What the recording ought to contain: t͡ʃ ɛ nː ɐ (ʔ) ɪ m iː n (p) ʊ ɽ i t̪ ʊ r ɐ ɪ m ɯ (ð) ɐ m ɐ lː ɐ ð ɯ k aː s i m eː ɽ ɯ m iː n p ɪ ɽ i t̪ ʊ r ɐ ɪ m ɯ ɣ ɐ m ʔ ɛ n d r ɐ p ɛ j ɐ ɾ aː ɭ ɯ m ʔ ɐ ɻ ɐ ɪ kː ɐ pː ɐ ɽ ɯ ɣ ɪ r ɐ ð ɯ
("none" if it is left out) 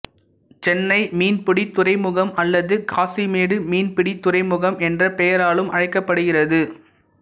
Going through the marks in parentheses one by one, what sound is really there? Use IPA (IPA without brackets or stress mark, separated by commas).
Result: none, p, ɣ